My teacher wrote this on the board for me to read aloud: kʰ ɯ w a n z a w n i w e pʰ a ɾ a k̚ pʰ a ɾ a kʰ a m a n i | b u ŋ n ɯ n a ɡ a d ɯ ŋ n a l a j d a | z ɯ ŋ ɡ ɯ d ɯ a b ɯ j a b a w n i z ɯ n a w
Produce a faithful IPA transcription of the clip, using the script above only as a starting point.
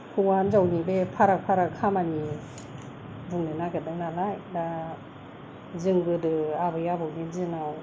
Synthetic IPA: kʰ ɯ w a n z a w n i b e pʰ a ɾ a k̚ pʰ a ɾ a kʰ a m a n i | b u ŋ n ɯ n a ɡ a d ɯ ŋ n a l a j d a | z ɯ ŋ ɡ ɯ d ɯ a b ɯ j a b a w n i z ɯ n a w